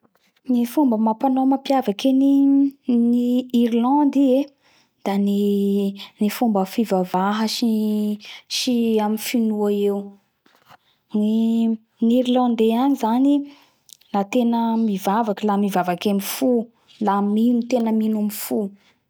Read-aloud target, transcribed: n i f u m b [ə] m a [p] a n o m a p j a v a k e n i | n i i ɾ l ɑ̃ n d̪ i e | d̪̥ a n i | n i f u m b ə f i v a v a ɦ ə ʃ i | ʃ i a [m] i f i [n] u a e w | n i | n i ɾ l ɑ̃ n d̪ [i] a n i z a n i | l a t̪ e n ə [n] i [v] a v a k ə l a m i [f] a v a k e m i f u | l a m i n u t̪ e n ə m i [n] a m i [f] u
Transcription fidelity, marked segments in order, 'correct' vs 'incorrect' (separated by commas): correct, correct, correct, correct, incorrect, incorrect, correct, incorrect, correct, correct